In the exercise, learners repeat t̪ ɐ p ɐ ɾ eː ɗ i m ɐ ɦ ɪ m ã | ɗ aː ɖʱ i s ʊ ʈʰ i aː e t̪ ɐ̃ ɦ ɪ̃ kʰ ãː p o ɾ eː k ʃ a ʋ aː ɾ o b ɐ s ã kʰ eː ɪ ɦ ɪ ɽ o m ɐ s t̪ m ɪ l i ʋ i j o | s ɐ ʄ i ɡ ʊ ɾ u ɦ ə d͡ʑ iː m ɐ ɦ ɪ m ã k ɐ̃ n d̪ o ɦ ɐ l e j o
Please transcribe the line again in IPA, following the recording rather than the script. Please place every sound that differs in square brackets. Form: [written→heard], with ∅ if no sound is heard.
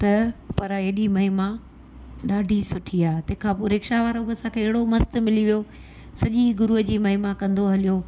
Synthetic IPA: t̪ ɐ p ɐ ɾ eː ɗ i m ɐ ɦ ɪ m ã | ɗ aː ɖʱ i s ʊ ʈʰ i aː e t̪ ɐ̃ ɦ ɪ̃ kʰ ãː p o ɾ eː k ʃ a ʋ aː ɾ o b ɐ s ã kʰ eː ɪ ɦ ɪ ɽ o m ɐ s t̪ m ɪ l i ʋ i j o | s ɐ ʄ i ɡ ʊ ɾ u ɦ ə d͡ʑ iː m ɐ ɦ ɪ m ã k ɐ̃ n d̪ o ɦ ɐ l [e→i] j o